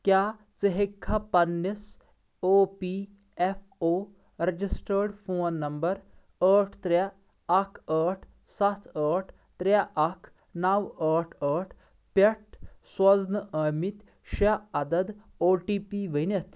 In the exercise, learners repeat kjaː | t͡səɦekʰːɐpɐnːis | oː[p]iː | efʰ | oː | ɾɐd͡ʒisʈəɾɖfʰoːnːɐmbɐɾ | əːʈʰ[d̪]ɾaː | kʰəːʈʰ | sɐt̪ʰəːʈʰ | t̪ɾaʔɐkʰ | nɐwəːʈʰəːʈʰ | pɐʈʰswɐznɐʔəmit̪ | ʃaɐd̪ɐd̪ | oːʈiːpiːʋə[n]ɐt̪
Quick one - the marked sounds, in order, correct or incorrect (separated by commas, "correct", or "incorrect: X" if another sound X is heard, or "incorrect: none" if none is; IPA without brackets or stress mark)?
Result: correct, incorrect: t̪, correct